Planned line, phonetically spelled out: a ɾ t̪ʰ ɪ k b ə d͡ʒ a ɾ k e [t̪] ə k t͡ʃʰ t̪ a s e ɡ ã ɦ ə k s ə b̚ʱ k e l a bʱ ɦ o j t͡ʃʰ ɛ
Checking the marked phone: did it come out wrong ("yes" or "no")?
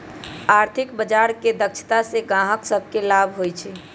yes